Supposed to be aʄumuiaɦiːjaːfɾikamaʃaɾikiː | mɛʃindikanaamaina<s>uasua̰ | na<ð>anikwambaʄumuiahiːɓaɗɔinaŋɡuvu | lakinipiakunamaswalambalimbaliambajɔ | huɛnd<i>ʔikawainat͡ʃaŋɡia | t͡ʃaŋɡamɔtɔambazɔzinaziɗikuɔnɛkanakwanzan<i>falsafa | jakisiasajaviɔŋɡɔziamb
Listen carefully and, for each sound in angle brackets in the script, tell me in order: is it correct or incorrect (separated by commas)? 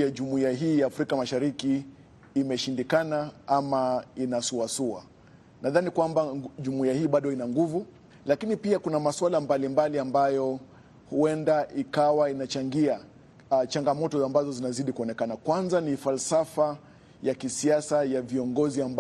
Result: correct, correct, incorrect, correct